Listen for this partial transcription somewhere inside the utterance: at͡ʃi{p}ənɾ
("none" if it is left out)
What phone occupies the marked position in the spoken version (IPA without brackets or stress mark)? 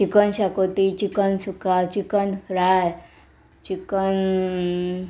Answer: k